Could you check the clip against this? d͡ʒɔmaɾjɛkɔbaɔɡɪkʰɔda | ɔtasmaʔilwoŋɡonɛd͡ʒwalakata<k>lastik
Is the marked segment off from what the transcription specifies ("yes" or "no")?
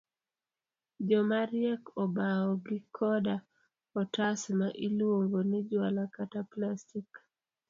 yes